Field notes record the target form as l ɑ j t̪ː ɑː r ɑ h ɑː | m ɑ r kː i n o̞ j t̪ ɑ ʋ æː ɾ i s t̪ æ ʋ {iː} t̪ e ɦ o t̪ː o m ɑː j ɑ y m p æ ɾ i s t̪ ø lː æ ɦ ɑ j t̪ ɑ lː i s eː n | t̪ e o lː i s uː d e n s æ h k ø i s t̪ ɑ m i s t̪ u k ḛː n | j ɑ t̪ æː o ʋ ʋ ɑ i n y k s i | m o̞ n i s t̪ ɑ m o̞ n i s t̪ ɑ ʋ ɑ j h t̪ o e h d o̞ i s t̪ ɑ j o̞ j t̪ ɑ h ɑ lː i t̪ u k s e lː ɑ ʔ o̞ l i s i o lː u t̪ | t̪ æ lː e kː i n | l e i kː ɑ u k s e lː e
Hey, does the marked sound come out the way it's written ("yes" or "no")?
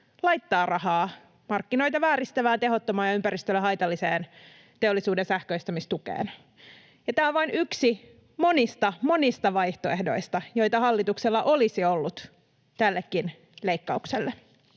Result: no